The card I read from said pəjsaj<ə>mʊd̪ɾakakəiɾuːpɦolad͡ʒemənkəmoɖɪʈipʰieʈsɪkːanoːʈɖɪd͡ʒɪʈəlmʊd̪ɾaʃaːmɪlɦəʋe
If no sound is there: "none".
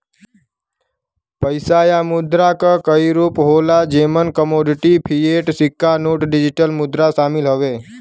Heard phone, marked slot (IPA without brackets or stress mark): a